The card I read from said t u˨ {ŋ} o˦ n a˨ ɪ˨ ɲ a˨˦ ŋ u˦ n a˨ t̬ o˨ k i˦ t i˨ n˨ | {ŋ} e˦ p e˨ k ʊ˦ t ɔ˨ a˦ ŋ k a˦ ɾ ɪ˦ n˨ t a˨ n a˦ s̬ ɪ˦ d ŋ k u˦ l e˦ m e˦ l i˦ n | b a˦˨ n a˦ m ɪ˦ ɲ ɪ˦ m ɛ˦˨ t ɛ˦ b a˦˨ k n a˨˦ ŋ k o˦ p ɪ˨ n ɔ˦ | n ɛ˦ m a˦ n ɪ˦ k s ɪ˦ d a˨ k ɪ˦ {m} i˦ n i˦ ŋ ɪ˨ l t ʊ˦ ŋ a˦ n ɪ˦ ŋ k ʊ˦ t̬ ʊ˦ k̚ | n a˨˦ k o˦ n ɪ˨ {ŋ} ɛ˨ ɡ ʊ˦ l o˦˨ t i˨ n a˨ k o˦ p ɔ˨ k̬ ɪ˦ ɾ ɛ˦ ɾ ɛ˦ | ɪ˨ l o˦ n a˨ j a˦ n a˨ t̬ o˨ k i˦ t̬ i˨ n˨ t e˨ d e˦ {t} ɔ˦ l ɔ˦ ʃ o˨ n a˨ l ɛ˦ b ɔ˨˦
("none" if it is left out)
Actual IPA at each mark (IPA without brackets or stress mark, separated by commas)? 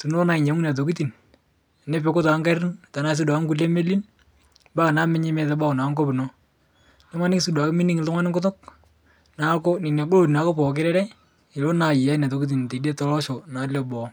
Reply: n, n, m, n, t